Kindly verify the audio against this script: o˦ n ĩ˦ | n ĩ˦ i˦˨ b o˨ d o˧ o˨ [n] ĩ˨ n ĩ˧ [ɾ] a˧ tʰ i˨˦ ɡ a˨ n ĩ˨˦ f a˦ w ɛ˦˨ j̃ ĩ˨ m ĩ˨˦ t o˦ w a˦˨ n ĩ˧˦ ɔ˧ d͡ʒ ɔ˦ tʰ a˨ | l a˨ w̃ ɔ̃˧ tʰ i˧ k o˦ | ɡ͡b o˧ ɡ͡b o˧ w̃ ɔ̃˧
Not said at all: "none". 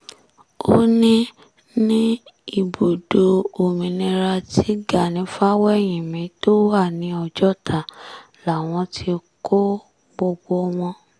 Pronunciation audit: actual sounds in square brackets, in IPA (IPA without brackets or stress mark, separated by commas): m, ɾ